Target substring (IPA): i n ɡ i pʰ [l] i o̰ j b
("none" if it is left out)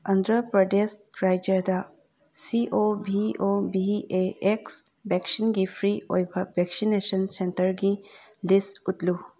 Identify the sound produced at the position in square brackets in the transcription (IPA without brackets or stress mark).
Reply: ɾ